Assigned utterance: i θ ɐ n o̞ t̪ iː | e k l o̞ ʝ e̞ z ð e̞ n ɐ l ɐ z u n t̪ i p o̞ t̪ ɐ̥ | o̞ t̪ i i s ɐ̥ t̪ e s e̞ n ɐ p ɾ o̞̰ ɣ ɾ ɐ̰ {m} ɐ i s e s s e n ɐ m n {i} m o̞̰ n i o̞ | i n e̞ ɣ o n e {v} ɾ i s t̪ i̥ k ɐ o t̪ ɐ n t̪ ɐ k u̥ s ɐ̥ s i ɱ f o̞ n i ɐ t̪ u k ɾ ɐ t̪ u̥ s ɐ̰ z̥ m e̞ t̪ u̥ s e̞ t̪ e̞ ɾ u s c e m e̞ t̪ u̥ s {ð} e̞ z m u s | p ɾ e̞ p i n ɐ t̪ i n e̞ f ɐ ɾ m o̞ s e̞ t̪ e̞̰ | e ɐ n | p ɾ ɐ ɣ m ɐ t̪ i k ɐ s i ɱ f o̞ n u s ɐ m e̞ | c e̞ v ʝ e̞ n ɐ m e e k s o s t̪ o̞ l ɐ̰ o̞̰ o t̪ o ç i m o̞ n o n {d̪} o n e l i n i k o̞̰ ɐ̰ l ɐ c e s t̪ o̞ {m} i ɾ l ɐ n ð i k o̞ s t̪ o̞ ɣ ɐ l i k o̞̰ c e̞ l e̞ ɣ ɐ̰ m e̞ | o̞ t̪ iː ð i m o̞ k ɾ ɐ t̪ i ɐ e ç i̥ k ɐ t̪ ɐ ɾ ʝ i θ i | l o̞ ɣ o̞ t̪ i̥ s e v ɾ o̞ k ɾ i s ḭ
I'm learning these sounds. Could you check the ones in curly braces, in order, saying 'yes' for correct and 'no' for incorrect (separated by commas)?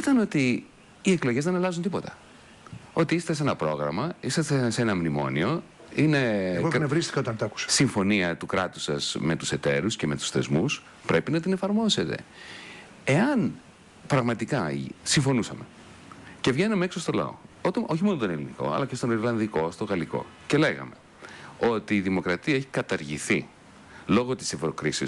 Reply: yes, yes, yes, no, no, no